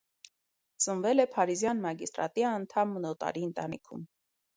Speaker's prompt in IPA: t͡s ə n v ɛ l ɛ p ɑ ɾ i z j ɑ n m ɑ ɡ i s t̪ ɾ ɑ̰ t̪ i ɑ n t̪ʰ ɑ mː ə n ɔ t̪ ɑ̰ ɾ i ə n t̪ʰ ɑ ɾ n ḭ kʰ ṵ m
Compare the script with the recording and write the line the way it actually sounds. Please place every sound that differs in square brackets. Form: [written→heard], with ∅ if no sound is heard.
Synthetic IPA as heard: t͡s ə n v ɛ l ɛ [p→pʰ] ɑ ɾ i z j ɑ n m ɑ ɡ i s t̪ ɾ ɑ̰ t̪ i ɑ n t̪ʰ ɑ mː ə n ɔ t̪ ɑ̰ ɾ i ə n [t̪ʰ→t̪] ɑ [ɾ→∅] n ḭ kʰ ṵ m

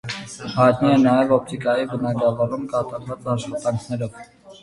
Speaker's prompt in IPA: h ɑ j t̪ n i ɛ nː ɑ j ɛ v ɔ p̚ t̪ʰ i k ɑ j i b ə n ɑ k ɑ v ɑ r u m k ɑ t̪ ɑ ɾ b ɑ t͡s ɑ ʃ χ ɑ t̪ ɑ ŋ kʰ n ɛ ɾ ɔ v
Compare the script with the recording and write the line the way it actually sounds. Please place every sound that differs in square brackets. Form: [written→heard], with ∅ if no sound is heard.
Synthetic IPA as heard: h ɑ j t̪ n i ɛ [nː→n] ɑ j ɛ v ɔ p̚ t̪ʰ i k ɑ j i b ə n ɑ [k→ɡ] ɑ v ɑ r u m k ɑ t̪ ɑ ɾ [b→v] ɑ t͡s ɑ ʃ χ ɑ t̪ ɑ ŋ kʰ n ɛ ɾ ɔ v

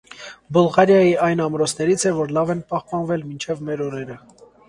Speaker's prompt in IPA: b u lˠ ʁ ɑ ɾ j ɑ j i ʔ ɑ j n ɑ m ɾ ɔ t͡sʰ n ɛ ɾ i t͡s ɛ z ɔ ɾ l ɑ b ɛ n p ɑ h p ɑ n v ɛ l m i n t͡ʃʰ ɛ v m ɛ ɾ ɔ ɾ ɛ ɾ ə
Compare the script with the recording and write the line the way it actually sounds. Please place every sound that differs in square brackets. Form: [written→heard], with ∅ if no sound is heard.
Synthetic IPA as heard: b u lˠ ʁ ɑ ɾ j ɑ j i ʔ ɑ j n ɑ m ɾ ɔ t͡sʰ n ɛ ɾ i [t͡s→t͡sʰ] ɛ [z→v] ɔ ɾ l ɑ [b→v] ɛ n p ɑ h p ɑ n v ɛ l m i n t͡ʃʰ ɛ v m ɛ ɾ ɔ ɾ ɛ ɾ ə

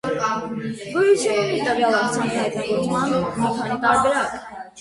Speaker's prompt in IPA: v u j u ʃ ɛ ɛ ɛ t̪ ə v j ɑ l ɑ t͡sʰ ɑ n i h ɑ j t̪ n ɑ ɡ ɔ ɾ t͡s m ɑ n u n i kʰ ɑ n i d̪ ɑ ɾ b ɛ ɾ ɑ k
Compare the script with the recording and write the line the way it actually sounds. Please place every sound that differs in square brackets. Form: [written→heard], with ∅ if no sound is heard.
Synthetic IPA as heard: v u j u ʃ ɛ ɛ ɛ t̪ ə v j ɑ l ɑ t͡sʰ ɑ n i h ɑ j t̪ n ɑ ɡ ɔ ɾ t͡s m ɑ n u [n→m] i kʰ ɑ n i [d̪→t̪] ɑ ɾ b ɛ ɾ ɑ k

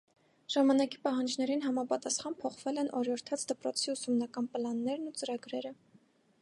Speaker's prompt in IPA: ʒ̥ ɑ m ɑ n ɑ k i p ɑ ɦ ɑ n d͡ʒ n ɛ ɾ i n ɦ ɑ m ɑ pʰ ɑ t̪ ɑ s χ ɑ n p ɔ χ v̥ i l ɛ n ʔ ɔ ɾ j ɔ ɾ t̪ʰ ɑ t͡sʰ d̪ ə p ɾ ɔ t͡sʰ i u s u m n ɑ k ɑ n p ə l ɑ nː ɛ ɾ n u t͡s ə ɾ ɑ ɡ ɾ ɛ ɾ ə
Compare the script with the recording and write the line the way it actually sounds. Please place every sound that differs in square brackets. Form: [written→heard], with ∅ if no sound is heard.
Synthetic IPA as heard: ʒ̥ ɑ m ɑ n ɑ k i p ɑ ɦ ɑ n d͡ʒ n ɛ ɾ i n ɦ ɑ m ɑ [pʰ→p] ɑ t̪ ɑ s χ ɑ n [p→pʰ] ɔ χ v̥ [i→ɛ] l ɛ n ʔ ɔ ɾ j ɔ ɾ t̪ʰ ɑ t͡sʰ d̪ ə p ɾ ɔ t͡sʰ i u s u m n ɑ k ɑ n p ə l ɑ nː ɛ ɾ n u t͡s ə ɾ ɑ ɡ ɾ ɛ ɾ ə

